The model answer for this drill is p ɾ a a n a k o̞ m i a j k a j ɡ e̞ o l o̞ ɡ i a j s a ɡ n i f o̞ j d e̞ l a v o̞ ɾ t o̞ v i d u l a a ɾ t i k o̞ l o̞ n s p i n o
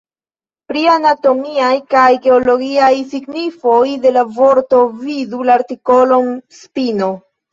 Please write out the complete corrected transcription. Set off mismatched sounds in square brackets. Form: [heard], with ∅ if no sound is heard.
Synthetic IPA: p ɾ [i] a n a [t] o̞ m i a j k a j ɡ e̞ o l o̞ ɡ i a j s [i] ɡ n i f o̞ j d e̞ l a v o̞ ɾ t o̞ v i d u l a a ɾ t i k o̞ l o̞ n s p i n o

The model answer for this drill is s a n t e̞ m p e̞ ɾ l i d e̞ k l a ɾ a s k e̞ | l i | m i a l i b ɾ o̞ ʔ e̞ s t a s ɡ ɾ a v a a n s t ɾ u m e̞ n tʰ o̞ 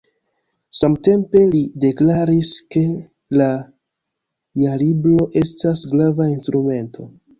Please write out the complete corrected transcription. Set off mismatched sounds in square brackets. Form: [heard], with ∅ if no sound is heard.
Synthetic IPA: s a [m] t e̞ m p e̞ [∅] l i d e̞ k l a ɾ [i] s k e̞ | l [a] | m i a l i b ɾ o̞ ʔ e̞ s t a s ɡ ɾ a v a [i] n s t ɾ u m e̞ n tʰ o̞

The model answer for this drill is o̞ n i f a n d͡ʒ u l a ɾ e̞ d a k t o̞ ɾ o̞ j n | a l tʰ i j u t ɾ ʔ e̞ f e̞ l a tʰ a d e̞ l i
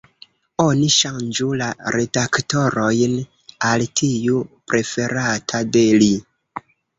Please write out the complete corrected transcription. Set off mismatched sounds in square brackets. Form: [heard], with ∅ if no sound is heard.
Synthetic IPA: o̞ n i [ʃ] a n d͡ʒ u l a ɾ e̞ d a k t o̞ ɾ o̞ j n | a l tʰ i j u [p] ɾ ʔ e̞ f e̞ [ɾ] a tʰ a d e̞ l i

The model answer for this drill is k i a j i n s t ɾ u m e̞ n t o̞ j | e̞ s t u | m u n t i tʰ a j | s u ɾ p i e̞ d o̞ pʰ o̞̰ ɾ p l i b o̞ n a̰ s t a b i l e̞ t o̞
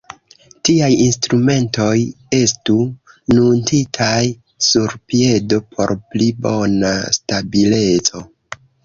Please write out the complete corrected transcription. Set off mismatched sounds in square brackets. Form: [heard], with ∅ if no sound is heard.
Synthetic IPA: [t] i a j i n s t ɾ u m e̞ n t o̞ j | e̞ s t u | [n] u n t i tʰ a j | s u ɾ p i e̞ d o̞ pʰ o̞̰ ɾ p l i b o̞ n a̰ s t a b i l e̞ [t͡s] o̞

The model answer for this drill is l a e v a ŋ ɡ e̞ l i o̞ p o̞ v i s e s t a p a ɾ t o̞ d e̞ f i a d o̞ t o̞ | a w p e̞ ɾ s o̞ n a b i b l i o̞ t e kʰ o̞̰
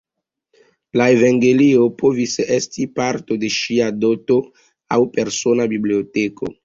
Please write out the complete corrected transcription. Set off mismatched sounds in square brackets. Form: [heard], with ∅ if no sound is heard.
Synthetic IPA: l a e v a ŋ ɡ e̞ l i o̞ p o̞ v i s e s t [i] p a ɾ t o̞ d e̞ [ʃ] i a d o̞ t o̞ | a w p e̞ ɾ s o̞ n a b i b l i o̞ t e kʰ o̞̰

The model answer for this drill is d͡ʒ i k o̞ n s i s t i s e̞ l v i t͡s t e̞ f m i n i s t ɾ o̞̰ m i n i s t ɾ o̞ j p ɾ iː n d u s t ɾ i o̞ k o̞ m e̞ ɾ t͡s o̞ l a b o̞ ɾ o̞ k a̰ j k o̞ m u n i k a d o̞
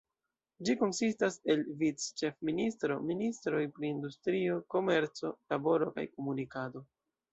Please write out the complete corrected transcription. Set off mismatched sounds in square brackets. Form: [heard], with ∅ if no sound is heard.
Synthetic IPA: d͡ʒ i k o̞ n s i s t [a] s e̞ l v i t͡s [t͡ʃ] e̞ f m i n i s t ɾ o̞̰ m i n i s t ɾ o̞ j p ɾ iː n d u s t ɾ i o̞ k o̞ m e̞ ɾ t͡s o̞ l a b o̞ ɾ o̞ k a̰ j k o̞ m u n i k a d o̞

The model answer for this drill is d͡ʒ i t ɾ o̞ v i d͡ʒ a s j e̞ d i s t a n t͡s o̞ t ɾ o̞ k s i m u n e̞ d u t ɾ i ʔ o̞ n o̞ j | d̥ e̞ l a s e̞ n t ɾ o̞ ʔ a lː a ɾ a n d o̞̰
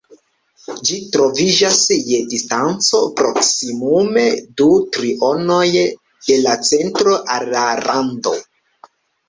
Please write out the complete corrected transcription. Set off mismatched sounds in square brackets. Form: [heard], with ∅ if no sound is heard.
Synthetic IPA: d͡ʒ i t ɾ o̞ v i d͡ʒ a s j e̞ d i s t a n t͡s o̞ [p] ɾ o̞ k s i m u [m] e̞ d u t ɾ i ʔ o̞ n o̞ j | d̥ e̞ l a [t͡s] e̞ n t ɾ o̞ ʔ a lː a ɾ a n d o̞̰

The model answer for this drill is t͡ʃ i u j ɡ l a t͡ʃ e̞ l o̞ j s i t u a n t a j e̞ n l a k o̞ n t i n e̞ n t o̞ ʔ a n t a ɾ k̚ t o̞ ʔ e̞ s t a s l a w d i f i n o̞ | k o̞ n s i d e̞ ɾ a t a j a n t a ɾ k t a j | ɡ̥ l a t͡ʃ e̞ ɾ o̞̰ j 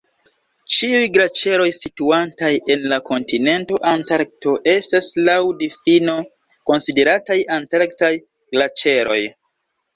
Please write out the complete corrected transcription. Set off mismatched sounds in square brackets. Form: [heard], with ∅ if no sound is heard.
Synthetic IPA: t͡ʃ i u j ɡ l a t͡ʃ e̞ [ɾ] o̞ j s i t u a n t a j e̞ n l a k o̞ n t i n e̞ n t o̞ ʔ a n t a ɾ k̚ t o̞ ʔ e̞ s t a s l a w d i f i n o̞ | k o̞ n s i d e̞ ɾ a t a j a n t a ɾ k t a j | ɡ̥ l a t͡ʃ e̞ ɾ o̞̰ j

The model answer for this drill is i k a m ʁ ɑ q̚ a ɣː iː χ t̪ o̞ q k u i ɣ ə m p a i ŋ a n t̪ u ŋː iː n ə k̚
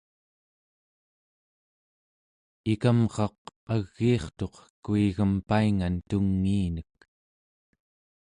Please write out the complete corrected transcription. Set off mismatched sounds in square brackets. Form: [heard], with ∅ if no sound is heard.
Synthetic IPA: i k a m ʁ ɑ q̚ a ɣː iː χ t̪ o̞ q k u i ɣ ə m p a i ŋ a n t̪ u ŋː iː n ə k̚

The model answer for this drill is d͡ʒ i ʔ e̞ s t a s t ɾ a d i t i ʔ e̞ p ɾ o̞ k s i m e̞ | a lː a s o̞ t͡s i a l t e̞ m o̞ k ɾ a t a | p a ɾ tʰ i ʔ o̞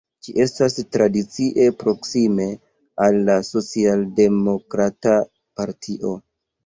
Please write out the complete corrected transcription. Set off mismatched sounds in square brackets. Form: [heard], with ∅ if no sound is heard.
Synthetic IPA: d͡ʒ i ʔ e̞ s t a s t ɾ a d i [t͡s] i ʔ e̞ p ɾ o̞ k s i m e̞ | a lː a s o̞ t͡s i a l [d] e̞ m o̞ k ɾ a t a | p a ɾ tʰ i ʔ o̞

